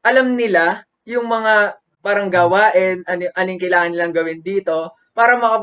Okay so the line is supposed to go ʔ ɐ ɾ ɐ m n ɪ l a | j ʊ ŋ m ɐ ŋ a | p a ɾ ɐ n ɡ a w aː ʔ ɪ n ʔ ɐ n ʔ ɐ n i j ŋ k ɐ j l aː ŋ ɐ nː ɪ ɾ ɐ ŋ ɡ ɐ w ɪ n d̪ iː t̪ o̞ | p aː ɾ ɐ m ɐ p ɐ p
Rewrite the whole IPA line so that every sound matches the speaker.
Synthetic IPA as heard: ʔ ɐ l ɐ m n ɪ l a | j ʊ ŋ m ɐ ŋ a | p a ɾ ɐ ŋ ɡ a w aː ʔ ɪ n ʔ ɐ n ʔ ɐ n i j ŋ k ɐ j l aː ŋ ɐ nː ɪ l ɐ ŋ ɡ ɐ w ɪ n d̪ iː t̪ o̞ | p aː ɾ ɐ m ɐ k ɐ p